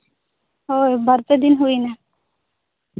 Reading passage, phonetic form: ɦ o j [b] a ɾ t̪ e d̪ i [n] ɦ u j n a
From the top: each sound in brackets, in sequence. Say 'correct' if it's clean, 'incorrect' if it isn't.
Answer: correct, correct

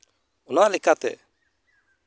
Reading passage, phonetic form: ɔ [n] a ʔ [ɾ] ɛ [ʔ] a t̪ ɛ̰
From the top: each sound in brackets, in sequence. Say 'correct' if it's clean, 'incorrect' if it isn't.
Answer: correct, incorrect, incorrect

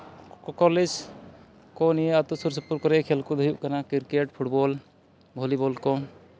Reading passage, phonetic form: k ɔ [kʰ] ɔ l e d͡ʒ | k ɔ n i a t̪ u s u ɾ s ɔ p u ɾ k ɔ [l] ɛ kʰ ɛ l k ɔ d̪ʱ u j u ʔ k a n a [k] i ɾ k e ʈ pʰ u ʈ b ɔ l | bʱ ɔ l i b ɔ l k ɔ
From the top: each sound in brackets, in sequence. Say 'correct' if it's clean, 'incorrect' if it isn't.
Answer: incorrect, incorrect, correct

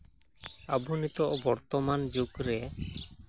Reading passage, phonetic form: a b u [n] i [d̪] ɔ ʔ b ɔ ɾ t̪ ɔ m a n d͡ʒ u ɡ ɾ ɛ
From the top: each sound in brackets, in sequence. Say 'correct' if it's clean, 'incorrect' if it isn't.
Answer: correct, incorrect

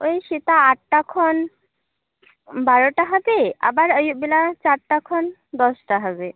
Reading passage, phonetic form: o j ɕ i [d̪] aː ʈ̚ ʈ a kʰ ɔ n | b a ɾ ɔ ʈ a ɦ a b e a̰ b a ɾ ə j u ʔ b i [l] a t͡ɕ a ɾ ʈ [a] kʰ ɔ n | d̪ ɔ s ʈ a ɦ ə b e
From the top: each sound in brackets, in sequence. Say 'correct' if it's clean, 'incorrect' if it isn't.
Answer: incorrect, correct, correct

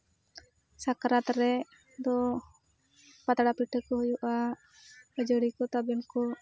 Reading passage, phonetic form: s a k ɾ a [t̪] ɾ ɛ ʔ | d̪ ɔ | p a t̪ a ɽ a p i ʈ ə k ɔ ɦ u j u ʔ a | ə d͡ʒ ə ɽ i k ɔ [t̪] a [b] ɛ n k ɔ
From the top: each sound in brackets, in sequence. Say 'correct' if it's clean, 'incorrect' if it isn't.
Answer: correct, correct, correct

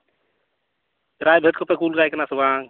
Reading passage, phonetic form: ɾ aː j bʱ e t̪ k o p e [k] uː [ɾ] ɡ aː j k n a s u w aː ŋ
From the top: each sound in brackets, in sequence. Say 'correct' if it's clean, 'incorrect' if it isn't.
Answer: correct, incorrect

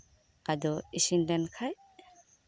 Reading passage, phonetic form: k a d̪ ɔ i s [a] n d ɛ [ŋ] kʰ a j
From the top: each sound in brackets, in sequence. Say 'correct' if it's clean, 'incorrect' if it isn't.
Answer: incorrect, incorrect

